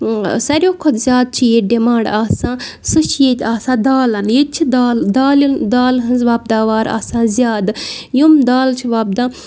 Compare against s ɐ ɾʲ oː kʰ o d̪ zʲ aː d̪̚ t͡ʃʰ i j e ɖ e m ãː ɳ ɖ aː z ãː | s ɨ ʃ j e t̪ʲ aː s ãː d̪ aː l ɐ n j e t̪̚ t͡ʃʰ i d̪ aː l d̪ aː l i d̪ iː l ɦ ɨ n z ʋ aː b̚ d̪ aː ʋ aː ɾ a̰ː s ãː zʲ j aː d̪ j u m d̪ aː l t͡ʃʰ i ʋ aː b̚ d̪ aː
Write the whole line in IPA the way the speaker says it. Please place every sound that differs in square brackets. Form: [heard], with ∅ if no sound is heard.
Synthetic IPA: s ɐ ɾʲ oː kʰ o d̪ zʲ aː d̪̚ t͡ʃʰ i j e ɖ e m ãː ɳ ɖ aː [s] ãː | s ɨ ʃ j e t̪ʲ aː s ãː d̪ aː l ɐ n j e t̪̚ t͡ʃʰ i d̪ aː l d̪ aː l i d̪ [aː] l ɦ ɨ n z ʋ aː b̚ d̪ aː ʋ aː ɾ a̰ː s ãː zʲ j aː d̪ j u m d̪ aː l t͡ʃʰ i ʋ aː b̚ d̪ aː

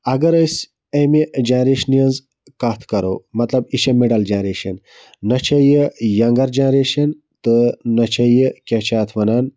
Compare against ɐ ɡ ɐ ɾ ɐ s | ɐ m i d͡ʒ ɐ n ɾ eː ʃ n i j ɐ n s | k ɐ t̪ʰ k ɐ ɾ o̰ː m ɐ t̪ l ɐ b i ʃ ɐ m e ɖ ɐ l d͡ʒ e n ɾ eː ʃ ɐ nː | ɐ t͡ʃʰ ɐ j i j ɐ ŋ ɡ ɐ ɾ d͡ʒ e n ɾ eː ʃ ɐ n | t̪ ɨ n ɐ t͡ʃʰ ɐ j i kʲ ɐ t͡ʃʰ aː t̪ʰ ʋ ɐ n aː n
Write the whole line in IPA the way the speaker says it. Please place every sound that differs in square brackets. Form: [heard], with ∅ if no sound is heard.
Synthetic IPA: ɐ ɡ ɐ ɾ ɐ s | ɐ m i d͡ʒ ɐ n ɾ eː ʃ n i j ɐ n [z] | k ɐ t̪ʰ k ɐ ɾ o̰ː m ɐ t̪ l ɐ b i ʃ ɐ m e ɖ ɐ l d͡ʒ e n ɾ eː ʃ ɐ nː | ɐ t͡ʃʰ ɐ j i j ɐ ŋ ɡ ɐ ɾ d͡ʒ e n ɾ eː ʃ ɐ n | t̪ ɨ n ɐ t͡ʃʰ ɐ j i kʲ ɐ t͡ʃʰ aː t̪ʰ ʋ ɐ n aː n

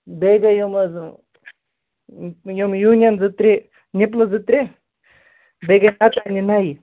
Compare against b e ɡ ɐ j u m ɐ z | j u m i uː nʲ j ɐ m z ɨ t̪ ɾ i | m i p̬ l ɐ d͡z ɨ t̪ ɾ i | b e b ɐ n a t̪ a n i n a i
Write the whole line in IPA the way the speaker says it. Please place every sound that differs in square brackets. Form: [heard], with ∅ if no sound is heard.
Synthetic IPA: b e ɡ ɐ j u m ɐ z | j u m [j] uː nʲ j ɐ [n] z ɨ t̪ ɾ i | [n] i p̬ l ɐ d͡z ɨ t̪ ɾ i | b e [ɡ] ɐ n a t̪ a n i n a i

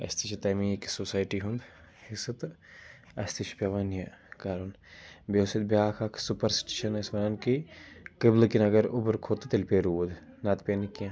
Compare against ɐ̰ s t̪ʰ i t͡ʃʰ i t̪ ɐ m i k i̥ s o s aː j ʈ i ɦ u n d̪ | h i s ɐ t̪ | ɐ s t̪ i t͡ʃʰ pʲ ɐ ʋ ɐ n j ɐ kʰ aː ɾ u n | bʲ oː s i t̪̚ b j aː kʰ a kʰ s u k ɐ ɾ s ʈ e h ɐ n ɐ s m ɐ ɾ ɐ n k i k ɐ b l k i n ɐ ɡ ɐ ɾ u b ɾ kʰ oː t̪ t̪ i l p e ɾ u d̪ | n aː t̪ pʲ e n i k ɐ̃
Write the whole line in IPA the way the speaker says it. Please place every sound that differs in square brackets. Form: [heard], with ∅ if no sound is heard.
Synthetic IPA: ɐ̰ s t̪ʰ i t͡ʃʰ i t̪ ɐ m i k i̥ s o s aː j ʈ i ɦ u n d̪ | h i s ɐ t̪ | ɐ s t̪ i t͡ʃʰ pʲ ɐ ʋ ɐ n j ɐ [k] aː ɾ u n | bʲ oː s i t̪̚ b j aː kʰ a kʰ s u [p] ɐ ɾ s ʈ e [ʃ] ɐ n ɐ s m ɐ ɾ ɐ n k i k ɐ b l k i n ɐ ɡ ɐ ɾ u b ɾ kʰ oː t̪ t̪ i l p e ɾ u d̪ | n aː t̪ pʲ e n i k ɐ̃

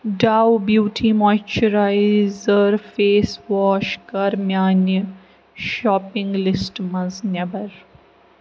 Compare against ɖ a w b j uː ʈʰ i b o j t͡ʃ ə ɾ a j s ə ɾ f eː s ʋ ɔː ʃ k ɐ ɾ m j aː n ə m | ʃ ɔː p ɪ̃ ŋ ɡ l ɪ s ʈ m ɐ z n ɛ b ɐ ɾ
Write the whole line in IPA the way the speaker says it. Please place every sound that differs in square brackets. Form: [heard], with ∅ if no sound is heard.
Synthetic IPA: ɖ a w b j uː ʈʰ i [m] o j t͡ʃ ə ɾ a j [z] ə ɾ f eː s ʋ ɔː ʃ k ɐ ɾ m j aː n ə [∅] | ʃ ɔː p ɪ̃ ŋ ɡ l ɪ s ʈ m ɐ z n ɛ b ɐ ɾ

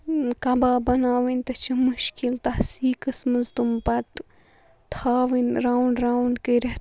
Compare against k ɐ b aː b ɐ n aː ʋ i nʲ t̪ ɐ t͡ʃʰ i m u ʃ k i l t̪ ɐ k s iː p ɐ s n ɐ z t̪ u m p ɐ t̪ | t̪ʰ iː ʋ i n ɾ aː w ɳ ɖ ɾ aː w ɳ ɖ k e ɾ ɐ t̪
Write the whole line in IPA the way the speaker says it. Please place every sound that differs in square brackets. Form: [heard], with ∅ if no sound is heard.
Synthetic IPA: k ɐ b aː b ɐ n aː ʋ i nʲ t̪ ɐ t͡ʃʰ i m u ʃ k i l t̪ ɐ [∅] s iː [k] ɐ s [m] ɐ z t̪ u m p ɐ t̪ | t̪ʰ [aː] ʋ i n ɾ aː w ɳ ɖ ɾ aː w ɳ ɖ k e ɾ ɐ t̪

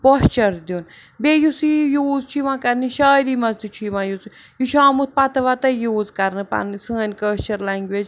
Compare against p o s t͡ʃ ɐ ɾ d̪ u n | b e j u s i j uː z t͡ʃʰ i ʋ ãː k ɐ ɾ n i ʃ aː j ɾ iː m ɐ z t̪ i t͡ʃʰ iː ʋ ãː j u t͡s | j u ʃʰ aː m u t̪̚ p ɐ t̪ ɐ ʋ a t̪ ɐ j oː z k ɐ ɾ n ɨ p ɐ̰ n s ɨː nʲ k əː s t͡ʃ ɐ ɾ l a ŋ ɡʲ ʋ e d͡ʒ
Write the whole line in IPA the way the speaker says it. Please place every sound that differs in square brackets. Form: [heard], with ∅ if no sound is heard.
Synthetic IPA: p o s t͡ʃ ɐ ɾ d̪ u n | b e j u s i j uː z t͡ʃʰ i ʋ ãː k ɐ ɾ n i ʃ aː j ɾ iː m ɐ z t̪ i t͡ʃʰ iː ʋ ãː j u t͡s | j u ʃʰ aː m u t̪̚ p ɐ t̪ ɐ ʋ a t̪ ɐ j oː z k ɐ ɾ n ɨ p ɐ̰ n s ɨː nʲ k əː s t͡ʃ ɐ ɾ l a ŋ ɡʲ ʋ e d͡ʒ

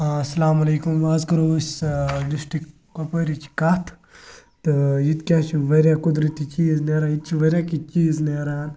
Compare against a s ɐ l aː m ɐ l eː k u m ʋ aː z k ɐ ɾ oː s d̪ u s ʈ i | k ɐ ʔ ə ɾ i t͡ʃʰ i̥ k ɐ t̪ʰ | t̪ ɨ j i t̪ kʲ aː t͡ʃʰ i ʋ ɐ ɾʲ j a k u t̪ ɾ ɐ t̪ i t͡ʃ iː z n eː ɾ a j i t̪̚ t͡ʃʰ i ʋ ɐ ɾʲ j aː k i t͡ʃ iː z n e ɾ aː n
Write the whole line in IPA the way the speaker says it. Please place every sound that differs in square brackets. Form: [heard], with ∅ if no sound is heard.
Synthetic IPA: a s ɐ l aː m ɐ l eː k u m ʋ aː z k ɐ ɾ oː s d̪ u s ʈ i | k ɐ [p] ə ɾ i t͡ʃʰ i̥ k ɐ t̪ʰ | t̪ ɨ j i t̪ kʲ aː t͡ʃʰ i ʋ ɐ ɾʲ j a k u [d̪] ɾ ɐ t̪ i t͡ʃ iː z n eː ɾ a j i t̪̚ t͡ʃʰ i ʋ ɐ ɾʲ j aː k i t͡ʃ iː z n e ɾ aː n

